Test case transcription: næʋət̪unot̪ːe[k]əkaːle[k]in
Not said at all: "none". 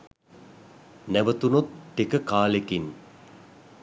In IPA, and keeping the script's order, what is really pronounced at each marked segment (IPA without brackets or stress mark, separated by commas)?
k, k